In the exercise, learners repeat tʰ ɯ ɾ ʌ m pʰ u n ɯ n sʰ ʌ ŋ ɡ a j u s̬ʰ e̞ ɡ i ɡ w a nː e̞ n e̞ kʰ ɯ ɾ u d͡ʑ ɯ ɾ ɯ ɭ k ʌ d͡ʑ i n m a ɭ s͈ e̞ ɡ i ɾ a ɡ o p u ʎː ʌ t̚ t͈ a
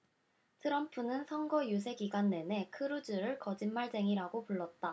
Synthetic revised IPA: tʰ ɯ ɾ ʌ m pʰ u n ɯ n sʰ ʌ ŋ ɡ ʌ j u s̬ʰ e̞ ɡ i ɡ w a nː e̞ n e̞ kʰ ɯ ɾ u d͡ʑ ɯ ɾ ɯ ɭ k ʌ d͡ʑ i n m a ɭ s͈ e̞ ŋ i ɾ a ɡ o p u ɭː ʌ t̚ t͈ a